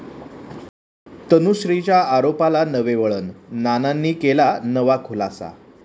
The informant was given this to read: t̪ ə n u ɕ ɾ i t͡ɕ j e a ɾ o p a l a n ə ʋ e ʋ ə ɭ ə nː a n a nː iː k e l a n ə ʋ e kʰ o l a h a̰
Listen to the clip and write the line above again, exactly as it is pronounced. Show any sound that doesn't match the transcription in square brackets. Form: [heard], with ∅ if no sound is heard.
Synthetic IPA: t̪ ə n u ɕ ɾ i t͡ɕ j [a] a ɾ o p a l a n ə ʋ e ʋ ə ɭ ə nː a n a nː iː k e l a n ə ʋ [a] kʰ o l a [s] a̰